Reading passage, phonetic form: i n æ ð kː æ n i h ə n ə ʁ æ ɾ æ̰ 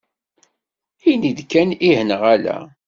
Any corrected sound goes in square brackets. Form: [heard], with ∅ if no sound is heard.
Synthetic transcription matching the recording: i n [i] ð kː æ n i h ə n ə ʁ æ [l] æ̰